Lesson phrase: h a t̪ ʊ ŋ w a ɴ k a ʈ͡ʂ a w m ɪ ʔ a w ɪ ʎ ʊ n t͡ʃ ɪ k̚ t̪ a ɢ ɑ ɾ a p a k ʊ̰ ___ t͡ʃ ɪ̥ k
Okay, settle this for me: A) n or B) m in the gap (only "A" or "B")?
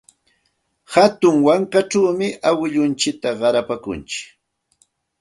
A